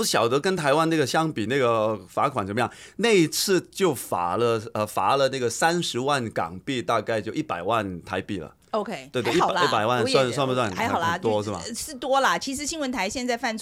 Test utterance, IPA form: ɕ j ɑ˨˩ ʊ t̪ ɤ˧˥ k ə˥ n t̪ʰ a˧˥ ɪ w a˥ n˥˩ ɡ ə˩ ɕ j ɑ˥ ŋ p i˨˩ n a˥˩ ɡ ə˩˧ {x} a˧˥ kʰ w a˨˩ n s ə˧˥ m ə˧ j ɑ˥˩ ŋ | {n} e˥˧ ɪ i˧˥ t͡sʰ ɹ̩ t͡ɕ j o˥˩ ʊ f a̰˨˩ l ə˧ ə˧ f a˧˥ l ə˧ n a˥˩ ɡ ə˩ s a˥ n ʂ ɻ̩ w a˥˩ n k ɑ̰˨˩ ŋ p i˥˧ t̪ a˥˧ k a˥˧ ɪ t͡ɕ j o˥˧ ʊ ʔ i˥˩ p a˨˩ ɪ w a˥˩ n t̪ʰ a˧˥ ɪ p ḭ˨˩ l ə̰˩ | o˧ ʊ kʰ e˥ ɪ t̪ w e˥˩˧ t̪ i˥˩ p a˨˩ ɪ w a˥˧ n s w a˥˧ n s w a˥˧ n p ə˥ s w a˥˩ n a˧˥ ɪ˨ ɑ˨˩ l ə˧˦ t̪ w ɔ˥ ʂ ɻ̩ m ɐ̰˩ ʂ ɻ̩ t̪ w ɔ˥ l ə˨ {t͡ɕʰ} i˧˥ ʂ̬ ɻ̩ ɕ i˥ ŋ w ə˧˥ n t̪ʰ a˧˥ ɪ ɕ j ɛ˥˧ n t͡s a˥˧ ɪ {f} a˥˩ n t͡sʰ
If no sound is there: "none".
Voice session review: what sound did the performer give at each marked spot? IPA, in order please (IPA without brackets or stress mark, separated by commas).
f, n, t͡ɕʰ, f